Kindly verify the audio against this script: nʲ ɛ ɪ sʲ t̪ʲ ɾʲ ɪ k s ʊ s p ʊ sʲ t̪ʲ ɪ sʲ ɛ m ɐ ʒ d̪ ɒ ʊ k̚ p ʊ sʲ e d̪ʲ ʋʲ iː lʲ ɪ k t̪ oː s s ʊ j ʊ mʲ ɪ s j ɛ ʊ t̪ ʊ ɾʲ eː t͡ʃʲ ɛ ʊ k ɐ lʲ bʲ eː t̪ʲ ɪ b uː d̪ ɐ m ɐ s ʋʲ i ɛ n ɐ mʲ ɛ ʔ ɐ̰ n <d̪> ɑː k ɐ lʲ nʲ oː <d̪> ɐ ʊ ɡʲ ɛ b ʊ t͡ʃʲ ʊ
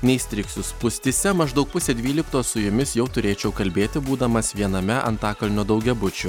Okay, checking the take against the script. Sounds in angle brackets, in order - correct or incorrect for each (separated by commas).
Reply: incorrect, correct